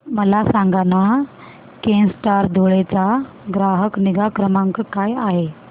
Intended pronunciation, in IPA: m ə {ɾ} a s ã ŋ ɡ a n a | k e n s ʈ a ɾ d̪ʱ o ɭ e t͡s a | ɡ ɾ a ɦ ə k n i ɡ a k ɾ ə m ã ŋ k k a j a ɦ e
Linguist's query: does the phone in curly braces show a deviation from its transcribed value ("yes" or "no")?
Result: yes